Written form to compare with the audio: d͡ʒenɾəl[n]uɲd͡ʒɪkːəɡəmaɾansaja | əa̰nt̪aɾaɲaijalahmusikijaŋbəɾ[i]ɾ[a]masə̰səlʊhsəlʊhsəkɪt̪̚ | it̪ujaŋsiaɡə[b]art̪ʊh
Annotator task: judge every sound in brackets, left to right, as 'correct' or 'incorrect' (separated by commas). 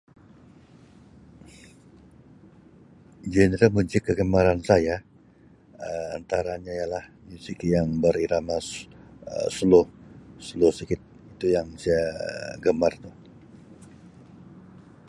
incorrect, correct, correct, incorrect